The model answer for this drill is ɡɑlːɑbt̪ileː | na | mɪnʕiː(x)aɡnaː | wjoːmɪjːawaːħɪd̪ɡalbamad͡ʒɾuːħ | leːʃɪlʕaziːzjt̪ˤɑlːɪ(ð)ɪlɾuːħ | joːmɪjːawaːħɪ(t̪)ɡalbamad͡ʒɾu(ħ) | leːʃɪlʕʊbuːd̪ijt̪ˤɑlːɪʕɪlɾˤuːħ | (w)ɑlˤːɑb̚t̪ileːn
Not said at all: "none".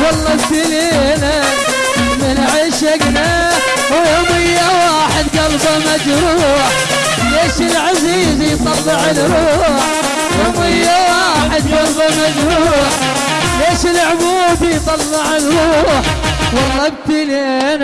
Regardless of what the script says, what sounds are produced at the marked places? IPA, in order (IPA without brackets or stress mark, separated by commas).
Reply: ʃ, ʕ, d̪, ħ, w